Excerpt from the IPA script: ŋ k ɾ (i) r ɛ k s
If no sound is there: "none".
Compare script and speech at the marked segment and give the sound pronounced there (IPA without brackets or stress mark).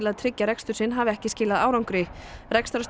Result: ɪ